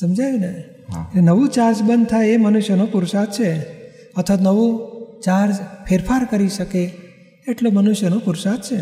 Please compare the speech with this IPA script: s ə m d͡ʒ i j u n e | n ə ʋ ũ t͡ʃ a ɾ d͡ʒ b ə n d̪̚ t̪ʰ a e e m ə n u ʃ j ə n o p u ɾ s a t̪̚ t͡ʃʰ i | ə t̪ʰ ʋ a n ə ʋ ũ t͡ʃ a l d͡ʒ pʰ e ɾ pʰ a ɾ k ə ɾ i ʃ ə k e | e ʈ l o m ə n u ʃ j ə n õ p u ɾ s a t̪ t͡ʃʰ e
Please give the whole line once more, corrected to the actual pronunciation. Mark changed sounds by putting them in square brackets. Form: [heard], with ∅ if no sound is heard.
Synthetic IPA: s ə m d͡ʒ [a] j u n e | n ə ʋ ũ t͡ʃ a ɾ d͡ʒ b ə n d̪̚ t̪ʰ a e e m ə n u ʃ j ə n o p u ɾ s a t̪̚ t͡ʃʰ [e] | ə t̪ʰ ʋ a n ə ʋ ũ t͡ʃ a [ɾ] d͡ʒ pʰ e ɾ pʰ a ɾ k ə ɾ i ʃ ə k e | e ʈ l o m ə n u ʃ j ə n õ p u ɾ s a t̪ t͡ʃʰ e